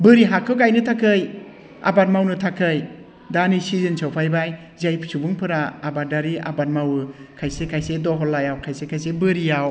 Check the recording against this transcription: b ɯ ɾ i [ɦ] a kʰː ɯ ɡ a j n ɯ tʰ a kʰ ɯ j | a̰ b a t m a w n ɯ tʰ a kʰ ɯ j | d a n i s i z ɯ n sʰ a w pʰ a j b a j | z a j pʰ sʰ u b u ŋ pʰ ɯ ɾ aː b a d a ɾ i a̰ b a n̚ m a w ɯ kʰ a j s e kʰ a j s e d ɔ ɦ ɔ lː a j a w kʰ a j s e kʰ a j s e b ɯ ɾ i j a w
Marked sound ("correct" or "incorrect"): correct